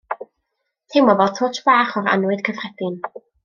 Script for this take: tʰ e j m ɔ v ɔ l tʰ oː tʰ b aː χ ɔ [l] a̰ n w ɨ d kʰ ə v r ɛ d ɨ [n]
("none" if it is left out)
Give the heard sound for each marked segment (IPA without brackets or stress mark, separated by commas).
ɾ, n